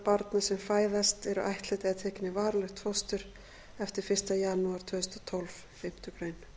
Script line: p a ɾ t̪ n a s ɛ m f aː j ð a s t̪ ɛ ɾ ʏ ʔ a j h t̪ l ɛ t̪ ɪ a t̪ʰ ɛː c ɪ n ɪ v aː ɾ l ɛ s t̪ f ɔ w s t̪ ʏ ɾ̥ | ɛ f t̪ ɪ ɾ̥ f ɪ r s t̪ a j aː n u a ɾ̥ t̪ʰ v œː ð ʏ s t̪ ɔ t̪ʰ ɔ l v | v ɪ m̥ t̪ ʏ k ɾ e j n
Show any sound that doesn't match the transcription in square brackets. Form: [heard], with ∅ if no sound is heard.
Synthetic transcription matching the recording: p a ɾ t̪ n a s ɛ m f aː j ð a s t̪ ɛ ɾ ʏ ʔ a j h t̪ l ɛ t̪ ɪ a t̪ʰ ɛː c ɪ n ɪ v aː ɾ l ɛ [x] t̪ f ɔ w s t̪ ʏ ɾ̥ | ɛ f t̪ ɪ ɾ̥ f ɪ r s t̪ a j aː n u a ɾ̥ t̪ʰ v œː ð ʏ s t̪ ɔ t̪ʰ ɔ l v | [f] ɪ m̥ t̪ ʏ k ɾ e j n